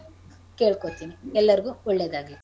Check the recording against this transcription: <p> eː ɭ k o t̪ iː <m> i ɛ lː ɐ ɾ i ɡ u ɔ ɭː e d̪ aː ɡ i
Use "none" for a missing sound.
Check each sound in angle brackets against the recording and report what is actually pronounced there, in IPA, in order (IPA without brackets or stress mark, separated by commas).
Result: k, n